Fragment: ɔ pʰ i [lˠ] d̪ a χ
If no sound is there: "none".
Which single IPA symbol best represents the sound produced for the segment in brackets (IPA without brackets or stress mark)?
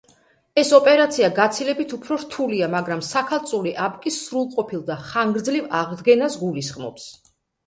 lˠ